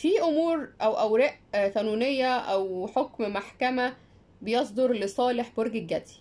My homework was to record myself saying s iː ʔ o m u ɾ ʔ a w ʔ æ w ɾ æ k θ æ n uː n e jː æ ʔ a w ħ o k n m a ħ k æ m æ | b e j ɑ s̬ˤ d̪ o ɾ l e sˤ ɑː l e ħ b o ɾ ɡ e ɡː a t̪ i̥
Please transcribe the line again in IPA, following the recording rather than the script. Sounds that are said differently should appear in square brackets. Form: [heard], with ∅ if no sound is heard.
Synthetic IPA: [f] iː ʔ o m [uː] ɾ ʔ [æ] w ʔ æ w ɾ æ [ʔ] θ æ n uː n e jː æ ʔ [æ] w ħ o k [m] m a ħ k æ m æ | b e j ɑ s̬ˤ d̪ o ɾ l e sˤ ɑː l e ħ b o ɾ ɡ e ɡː [æ] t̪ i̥